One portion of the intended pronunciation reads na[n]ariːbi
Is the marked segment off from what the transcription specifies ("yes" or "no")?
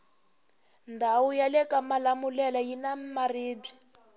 yes